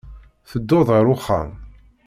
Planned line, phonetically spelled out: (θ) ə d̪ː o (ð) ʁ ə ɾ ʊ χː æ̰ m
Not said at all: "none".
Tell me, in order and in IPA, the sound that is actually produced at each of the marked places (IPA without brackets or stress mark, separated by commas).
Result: θ, ð